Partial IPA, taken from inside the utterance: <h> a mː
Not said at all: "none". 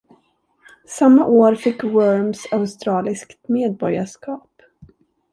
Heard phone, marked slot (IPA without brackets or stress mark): s